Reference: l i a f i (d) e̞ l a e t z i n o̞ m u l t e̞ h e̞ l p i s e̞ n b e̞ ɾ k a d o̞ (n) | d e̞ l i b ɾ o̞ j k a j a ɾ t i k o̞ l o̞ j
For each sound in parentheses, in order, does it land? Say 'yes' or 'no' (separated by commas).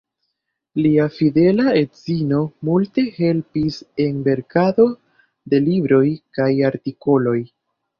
yes, no